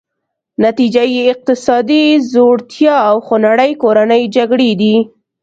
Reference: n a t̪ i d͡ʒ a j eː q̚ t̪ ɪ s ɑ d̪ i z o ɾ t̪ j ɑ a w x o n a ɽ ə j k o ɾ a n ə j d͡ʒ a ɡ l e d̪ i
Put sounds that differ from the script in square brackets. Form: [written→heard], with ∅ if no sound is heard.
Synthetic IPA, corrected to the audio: n a t̪ i d͡ʒ a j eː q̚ t̪ ɪ s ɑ d̪ i z o [ɾ→ɽ] t̪ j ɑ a w x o n a ɽ ə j k o ɾ a n ə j d͡ʒ a ɡ [l→ɽ] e d̪ i